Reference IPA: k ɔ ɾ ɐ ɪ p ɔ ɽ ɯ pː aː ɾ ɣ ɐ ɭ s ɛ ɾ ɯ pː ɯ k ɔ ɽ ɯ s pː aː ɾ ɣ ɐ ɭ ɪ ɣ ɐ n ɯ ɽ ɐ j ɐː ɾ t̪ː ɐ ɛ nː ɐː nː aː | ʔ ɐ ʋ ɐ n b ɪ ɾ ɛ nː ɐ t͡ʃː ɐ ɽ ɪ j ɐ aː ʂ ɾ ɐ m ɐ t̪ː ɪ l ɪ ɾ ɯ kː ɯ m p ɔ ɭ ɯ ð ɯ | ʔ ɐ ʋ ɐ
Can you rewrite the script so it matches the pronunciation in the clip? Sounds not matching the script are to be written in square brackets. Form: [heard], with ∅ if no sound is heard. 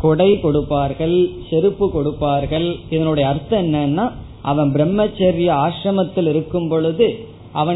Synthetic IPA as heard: k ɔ [ɽ] ɐ ɪ [k] ɔ ɽ ɯ pː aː ɾ ɣ ɐ ɭ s ɛ ɾ ɯ pː ɯ k ɔ ɽ ɯ [∅] pː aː ɾ ɣ ɐ ɭ ɪ [ð] ɐ n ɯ ɽ ɐ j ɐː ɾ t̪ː ɐ ɛ nː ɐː nː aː | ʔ ɐ ʋ ɐ n b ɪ ɾ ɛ [mː] ɐ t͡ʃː ɐ [ɾ] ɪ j ɐ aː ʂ ɾ ɐ m ɐ t̪ː ɪ l ɪ ɾ ɯ kː ɯ m p ɔ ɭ ɯ ð ɯ | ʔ ɐ ʋ ɐ